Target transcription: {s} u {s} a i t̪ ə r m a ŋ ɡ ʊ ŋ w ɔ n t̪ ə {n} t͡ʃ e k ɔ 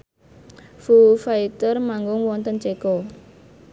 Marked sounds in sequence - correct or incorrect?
incorrect: f, incorrect: f, correct

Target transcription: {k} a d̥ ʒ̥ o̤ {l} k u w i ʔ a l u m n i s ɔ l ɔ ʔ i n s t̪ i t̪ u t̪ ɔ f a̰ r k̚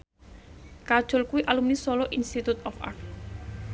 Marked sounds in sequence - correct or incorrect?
correct, correct

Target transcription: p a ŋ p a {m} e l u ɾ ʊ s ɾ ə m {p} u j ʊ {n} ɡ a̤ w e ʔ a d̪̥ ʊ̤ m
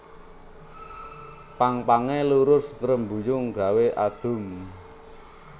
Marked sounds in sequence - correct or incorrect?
incorrect: ŋ, incorrect: b, incorrect: ŋ

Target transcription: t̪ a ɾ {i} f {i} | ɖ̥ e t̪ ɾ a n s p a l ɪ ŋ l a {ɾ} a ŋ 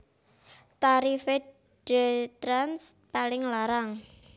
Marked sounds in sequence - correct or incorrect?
correct, incorrect: e, correct

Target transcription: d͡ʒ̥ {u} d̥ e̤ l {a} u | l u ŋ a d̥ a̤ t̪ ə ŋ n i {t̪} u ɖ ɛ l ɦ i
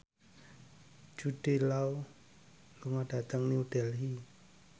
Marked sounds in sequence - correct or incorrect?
correct, correct, incorrect: none

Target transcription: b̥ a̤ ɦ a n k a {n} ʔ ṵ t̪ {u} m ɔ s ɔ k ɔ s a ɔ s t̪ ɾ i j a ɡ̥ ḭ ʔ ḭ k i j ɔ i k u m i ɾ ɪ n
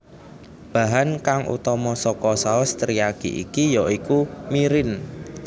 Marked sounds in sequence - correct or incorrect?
incorrect: ŋ, incorrect: ɔ

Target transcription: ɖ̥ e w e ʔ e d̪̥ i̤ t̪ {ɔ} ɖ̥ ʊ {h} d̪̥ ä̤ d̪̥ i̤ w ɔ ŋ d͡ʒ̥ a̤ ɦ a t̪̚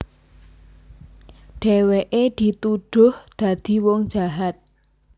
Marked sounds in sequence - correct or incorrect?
incorrect: u, correct

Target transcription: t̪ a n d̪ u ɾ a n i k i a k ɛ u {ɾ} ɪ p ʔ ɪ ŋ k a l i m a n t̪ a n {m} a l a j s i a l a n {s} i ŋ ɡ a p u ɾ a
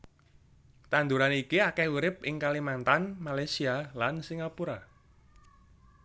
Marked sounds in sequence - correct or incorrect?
correct, correct, correct

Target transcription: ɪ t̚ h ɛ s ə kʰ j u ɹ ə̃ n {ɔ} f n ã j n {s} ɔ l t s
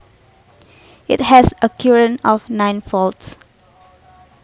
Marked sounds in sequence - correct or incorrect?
correct, incorrect: f

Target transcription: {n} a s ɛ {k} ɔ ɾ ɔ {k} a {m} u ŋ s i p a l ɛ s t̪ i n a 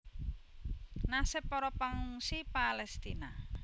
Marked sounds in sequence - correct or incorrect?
correct, incorrect: p, incorrect: p, incorrect: ŋ

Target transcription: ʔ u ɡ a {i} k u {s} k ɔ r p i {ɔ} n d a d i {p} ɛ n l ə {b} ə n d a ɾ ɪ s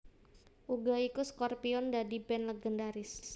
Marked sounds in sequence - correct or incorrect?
correct, correct, correct, incorrect: b, incorrect: ɡ

